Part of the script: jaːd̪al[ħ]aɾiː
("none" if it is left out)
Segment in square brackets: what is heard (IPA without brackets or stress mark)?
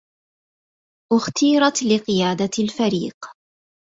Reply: f